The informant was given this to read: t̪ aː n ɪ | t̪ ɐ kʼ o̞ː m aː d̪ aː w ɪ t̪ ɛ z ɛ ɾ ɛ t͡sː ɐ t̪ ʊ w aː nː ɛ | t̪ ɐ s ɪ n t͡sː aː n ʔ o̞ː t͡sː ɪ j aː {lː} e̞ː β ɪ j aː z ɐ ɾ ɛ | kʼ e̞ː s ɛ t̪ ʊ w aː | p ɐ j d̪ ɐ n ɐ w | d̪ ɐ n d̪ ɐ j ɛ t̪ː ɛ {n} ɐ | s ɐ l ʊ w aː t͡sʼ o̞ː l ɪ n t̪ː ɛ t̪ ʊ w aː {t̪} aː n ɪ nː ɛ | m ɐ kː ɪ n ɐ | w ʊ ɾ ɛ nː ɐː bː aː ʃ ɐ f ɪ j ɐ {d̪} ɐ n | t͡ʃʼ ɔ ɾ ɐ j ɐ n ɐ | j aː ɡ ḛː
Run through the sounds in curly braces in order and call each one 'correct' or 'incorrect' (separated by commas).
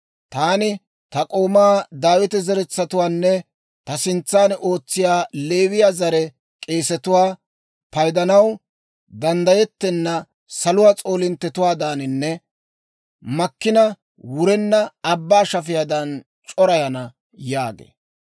incorrect, incorrect, incorrect, correct